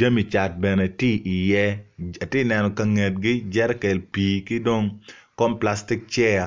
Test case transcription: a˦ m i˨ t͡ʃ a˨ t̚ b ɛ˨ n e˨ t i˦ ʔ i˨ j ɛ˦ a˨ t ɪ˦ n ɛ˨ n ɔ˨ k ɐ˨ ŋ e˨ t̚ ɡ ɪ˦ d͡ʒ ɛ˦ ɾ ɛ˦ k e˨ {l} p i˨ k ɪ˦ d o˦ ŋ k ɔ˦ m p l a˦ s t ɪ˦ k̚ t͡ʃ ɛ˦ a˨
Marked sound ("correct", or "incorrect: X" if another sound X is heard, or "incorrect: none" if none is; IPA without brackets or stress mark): correct